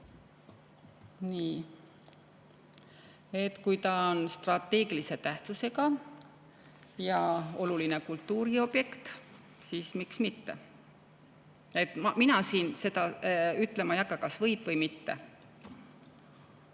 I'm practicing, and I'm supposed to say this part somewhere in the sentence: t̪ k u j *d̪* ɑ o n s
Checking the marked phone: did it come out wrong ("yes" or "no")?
yes